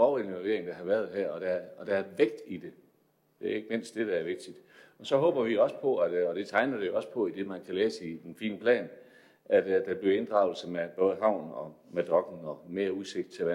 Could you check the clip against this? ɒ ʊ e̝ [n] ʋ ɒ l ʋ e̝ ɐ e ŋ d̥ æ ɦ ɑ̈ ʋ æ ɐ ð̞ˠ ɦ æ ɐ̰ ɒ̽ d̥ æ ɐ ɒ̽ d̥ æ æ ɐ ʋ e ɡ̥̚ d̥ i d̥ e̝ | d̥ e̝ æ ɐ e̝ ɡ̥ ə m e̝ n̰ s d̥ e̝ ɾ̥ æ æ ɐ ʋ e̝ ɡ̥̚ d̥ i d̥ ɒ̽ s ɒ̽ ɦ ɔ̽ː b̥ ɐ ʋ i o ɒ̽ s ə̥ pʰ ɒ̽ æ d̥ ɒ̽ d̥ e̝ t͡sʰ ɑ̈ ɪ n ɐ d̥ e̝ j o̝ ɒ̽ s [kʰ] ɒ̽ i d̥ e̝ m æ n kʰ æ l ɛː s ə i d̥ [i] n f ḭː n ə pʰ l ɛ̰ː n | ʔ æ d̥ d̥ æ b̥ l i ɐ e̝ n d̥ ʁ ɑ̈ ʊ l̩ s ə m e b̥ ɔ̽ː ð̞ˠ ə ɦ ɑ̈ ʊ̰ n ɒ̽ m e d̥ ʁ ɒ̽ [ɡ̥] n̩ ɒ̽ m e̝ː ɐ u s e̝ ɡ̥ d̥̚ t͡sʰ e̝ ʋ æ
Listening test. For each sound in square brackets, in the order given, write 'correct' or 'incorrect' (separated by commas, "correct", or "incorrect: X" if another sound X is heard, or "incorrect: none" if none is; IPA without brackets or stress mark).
correct, incorrect: pʰ, incorrect: e, correct